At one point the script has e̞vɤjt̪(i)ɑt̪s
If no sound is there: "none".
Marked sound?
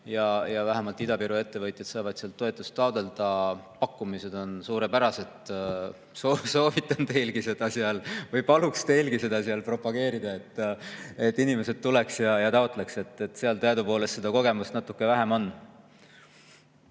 j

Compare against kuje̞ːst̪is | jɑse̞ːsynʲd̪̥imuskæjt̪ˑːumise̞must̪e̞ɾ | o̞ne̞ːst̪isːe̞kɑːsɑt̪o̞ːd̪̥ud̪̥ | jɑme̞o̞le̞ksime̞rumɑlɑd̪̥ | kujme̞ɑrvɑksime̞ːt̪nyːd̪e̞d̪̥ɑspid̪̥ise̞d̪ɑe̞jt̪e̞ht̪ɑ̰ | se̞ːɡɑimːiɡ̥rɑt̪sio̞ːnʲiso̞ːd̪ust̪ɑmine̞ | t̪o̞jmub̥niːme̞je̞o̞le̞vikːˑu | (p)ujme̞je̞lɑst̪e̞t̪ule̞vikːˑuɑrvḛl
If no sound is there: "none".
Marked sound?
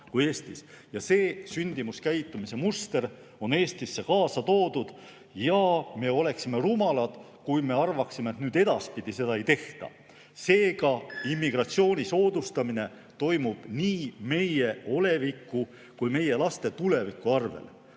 k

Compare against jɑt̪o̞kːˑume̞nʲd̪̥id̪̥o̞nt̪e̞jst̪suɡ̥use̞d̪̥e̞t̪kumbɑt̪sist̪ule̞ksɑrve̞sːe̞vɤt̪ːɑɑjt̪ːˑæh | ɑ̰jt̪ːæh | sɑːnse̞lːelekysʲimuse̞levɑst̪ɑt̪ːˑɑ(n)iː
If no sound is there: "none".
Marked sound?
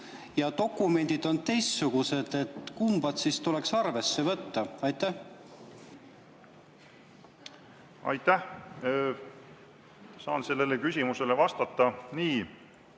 n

